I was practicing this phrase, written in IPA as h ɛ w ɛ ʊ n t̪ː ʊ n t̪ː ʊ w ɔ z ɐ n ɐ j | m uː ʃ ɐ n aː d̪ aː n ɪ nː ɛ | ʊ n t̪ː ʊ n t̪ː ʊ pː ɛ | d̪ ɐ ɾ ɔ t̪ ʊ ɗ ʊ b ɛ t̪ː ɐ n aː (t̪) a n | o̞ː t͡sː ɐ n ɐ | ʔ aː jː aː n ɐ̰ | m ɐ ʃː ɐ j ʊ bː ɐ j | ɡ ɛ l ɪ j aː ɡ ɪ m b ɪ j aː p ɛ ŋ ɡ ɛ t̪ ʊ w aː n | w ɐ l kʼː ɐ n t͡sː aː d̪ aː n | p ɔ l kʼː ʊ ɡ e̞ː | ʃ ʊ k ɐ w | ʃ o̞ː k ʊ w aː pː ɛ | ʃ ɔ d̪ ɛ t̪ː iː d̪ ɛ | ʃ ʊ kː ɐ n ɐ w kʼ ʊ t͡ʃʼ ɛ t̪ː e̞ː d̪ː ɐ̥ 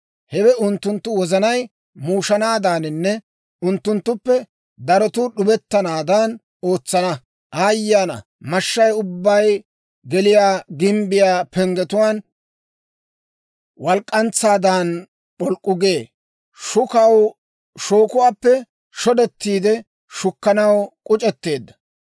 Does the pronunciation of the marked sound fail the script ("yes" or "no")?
yes